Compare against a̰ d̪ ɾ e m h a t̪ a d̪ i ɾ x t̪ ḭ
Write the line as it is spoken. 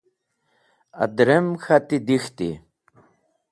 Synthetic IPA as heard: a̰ d̪ ɾ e m x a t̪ i d̪ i x t̪ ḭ

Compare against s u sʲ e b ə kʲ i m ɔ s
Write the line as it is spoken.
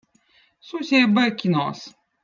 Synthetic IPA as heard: s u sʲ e b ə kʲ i n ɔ s

